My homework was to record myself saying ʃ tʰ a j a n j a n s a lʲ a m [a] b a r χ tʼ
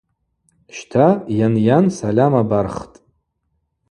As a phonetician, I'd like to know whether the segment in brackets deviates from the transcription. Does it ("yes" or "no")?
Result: no